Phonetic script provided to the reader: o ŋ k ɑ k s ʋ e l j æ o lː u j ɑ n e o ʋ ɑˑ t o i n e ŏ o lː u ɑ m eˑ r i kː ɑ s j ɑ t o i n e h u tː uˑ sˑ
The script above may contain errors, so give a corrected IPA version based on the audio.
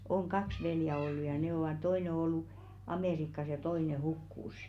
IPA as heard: o ŋ k ɑ k s ʋ e l j æ o lː u j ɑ n e o ʋ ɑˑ t o i n e ŏ o lː u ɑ m eˑ r i kː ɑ s j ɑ t o i n e h u kː uˑ sˑ

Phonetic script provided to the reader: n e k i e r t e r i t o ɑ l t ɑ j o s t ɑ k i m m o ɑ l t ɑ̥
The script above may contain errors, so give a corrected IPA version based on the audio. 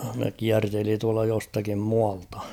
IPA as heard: n e k i æ r t e l i t u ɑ l t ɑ j o s t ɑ k i m m u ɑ l t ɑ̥

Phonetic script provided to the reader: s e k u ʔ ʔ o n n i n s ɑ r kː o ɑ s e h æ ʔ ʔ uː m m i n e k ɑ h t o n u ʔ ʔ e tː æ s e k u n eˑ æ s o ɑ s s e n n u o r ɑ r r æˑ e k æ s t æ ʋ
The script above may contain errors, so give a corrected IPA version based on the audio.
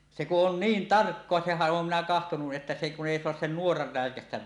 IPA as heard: s e k u ʔ ʔ o n n iː n t ɑ r kː o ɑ s e h æ ʔ ʔ oː m m i n æ k ɑ h t o n u ʔ ʔ e tː æ s e k u n eˑ i s o ɑ s s e n n u o r ɑ r r æˑ e k æ s t æ ʋ

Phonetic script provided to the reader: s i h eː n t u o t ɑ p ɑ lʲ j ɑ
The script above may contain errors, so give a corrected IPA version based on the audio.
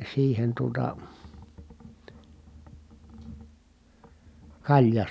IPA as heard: s iː h e n t u o t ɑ k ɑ lʲ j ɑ

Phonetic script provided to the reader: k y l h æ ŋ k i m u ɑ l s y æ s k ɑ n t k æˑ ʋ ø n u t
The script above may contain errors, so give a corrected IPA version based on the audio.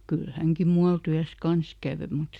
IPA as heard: k y l h æ ŋ k i m u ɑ l t y æ s k ɑ n s k æˑ ʋ ø m u t

